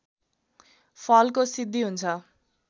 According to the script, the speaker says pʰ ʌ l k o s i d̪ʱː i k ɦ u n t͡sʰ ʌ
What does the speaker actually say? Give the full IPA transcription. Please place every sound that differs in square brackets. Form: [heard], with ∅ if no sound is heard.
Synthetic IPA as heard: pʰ ʌ l k o s i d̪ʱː i [∅] ɦ u n t͡sʰ ʌ